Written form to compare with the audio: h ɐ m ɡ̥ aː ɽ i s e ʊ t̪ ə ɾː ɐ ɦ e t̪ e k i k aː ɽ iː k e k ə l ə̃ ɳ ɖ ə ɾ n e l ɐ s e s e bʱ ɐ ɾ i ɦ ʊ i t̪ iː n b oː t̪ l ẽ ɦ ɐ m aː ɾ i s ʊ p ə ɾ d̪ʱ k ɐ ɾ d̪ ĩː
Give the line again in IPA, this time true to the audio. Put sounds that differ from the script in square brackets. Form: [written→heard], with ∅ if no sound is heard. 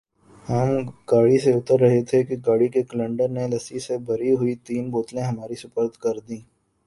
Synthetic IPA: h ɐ m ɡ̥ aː ɽ i s e ʊ t̪ ə ɾː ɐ ɦ e [t̪→t̪ʰ] e k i [k→ɡ] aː ɽ [iː→i] k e k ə l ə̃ ɳ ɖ ə ɾ n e l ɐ s [e→i] s e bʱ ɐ ɾ i ɦ ʊ i t̪ iː n b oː t̪ l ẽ ɦ ɐ m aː ɾ i s ʊ p ə ɾ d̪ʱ k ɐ ɾ d̪ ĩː